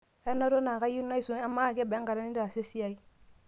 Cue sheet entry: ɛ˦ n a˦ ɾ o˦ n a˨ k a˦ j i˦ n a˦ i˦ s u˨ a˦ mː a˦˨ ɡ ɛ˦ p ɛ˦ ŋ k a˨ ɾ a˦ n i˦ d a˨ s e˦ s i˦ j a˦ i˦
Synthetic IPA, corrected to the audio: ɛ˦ n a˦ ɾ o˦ n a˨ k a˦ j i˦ n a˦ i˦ s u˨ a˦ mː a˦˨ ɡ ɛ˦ b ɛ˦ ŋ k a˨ ɾ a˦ n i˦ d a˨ s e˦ s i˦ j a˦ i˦